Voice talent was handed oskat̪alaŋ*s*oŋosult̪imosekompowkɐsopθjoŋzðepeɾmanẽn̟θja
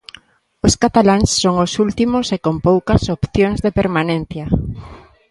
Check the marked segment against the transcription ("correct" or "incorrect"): incorrect